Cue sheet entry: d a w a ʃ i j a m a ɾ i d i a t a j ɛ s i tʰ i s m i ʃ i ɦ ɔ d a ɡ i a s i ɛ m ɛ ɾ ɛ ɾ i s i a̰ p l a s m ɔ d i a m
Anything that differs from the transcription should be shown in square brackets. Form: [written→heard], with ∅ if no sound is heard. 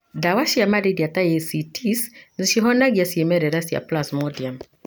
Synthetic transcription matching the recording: d a w a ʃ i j a m a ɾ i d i a t a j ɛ s i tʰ i s [m→n] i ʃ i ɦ ɔ [d→n] a ɡ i a s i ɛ m ɛ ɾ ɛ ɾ [i→a] s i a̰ p l a s m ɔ d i a m